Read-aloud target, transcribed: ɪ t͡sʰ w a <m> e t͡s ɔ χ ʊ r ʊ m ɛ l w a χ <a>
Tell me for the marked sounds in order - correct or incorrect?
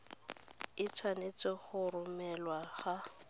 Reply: incorrect: n, correct

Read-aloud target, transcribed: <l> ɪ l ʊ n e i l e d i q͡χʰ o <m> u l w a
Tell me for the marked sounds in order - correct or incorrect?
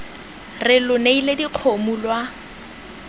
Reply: incorrect: r, correct

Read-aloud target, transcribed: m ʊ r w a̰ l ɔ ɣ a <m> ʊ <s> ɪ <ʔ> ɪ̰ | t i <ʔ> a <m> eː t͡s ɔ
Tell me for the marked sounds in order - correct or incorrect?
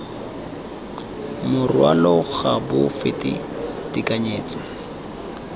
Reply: incorrect: b, incorrect: f, incorrect: t, incorrect: k, incorrect: ɲ

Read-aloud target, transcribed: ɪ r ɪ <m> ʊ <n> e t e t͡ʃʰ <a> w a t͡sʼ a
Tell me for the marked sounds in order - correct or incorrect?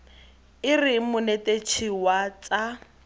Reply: correct, correct, incorrect: i

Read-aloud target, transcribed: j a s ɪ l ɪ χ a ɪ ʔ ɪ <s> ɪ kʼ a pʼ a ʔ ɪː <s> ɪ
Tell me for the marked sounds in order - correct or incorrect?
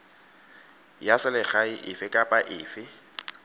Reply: incorrect: f, incorrect: f

